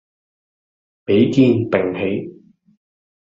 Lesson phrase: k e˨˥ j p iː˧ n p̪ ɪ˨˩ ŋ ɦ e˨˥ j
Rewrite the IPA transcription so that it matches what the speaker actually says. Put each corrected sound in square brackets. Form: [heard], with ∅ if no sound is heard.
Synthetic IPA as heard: [p] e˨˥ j [k] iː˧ n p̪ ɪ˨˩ ŋ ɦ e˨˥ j